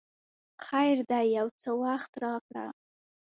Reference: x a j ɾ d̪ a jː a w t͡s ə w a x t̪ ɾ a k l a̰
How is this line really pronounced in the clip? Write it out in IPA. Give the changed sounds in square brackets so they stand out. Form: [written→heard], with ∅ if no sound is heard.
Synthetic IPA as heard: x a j ɾ d̪ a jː a w t͡s ə w a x t̪ ɾ [a→ɑ] k [l→ɽ] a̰